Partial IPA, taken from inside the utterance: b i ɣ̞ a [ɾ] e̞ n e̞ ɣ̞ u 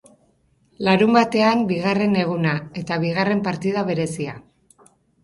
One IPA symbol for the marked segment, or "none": r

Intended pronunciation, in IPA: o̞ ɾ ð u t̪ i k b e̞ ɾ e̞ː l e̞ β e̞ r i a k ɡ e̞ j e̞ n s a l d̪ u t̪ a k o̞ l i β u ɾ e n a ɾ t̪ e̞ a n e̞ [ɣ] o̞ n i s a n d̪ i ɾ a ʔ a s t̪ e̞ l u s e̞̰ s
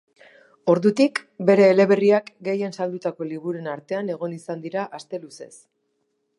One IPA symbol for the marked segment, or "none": ɣ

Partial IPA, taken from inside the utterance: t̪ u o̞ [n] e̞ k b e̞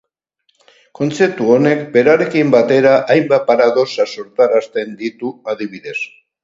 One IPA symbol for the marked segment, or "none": n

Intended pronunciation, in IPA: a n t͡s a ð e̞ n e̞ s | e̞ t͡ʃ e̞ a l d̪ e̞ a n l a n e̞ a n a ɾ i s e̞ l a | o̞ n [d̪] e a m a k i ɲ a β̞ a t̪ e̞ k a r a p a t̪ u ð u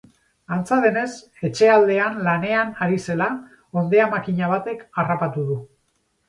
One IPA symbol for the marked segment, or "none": d̪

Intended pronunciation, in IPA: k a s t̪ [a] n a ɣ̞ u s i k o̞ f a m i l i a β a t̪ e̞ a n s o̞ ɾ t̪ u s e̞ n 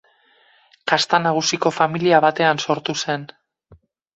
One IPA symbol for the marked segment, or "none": a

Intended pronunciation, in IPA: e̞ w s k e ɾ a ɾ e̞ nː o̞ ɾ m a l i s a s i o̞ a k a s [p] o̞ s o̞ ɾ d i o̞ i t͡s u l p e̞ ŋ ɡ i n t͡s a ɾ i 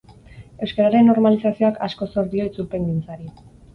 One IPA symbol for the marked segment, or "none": k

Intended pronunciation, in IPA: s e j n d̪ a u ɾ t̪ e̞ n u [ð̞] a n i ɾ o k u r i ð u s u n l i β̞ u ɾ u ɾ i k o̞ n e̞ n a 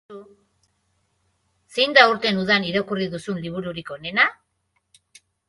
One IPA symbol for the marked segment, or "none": ð̞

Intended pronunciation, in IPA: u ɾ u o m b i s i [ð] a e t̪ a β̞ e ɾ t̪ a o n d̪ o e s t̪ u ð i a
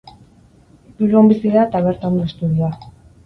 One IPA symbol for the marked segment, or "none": ð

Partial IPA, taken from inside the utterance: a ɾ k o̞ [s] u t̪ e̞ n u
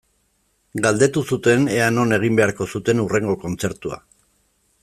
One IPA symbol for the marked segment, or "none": s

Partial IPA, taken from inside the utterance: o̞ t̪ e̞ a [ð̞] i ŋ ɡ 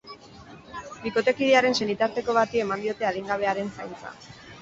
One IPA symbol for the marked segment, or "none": ð̞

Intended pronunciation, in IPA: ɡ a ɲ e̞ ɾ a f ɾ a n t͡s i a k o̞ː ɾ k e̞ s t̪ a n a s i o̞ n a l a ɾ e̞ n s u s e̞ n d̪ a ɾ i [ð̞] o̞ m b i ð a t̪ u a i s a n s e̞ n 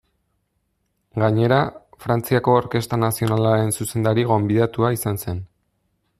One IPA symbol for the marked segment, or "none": ɣ̞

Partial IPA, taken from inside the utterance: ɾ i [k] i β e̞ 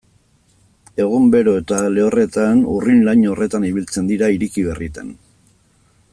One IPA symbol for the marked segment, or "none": k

